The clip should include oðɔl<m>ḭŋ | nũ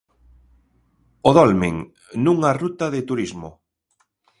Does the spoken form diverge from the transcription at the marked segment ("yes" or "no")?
no